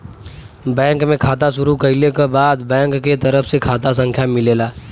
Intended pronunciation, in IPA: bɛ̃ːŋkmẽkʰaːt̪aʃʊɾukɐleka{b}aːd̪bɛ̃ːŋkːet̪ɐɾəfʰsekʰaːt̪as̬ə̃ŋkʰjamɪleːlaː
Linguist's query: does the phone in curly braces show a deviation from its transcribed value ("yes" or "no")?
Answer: no